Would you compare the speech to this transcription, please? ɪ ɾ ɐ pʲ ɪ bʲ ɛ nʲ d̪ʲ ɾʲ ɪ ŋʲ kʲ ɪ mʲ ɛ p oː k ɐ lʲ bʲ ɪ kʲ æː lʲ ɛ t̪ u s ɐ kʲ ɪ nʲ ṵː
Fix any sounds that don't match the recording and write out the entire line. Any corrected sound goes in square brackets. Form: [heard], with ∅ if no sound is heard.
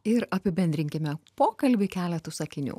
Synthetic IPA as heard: ɪ ɾ ɐ pʲ ɪ bʲ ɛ nʲ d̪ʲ ɾʲ ɪ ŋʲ kʲ ɪ mʲ ɛ p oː k ɐ lʲ bʲ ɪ kʲ æː lʲ ɛ t̪ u s ɐ kʲ ɪ nʲ ṵː